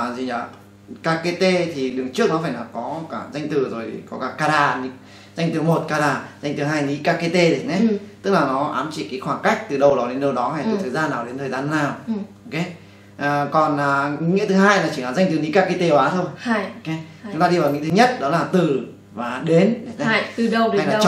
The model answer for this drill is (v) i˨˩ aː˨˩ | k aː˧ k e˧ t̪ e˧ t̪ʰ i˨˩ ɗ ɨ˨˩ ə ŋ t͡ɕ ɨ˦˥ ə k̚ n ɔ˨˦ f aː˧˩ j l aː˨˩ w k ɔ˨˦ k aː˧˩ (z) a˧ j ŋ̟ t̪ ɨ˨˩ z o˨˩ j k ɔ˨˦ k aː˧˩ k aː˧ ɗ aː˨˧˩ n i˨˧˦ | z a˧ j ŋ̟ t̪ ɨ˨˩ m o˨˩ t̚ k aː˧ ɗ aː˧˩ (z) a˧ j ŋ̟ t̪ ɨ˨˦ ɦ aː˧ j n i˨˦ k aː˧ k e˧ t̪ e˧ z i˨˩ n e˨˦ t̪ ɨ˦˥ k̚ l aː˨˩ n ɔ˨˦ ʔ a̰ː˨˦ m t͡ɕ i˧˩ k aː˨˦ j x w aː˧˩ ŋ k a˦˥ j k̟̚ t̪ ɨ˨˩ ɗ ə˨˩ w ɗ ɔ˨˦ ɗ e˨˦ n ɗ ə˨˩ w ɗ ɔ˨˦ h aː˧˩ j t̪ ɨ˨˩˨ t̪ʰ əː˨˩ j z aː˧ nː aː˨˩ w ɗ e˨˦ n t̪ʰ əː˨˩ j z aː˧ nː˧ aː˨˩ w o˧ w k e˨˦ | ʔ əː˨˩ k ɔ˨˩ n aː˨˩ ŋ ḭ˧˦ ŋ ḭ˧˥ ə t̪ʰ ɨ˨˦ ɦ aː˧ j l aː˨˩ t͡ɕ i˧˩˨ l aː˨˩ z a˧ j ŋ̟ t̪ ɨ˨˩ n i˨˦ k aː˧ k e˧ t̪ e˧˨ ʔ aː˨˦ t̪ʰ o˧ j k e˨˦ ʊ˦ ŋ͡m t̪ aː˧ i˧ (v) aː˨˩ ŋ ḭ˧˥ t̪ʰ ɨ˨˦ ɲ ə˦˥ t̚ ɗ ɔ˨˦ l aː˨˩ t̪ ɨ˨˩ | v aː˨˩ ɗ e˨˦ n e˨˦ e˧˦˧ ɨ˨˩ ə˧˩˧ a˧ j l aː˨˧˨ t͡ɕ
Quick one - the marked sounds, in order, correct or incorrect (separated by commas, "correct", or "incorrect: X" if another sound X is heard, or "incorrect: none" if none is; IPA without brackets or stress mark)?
incorrect: z, correct, correct, correct